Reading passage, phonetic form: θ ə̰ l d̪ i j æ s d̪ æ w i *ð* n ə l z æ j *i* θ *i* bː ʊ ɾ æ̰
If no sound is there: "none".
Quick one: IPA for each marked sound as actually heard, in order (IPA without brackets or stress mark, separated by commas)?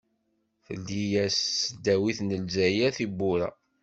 θ, æ, i